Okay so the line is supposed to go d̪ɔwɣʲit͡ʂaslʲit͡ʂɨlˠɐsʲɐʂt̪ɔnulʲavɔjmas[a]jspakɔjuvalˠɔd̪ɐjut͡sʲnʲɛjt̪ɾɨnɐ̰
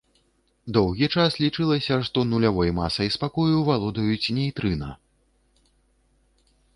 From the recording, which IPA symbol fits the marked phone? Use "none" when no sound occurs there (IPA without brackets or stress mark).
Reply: ɐ